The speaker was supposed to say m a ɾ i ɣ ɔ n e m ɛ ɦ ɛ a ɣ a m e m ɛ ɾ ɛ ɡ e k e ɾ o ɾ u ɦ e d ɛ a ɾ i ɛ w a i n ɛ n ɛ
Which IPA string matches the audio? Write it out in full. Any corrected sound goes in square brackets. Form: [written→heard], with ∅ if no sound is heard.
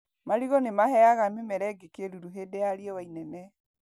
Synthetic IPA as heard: m a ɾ i ɣ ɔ n e m [ɛ→a] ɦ ɛ a ɣ a m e m ɛ ɾ ɛ ɡ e k e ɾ [o→u] ɾ u ɦ e d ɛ a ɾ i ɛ w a i n ɛ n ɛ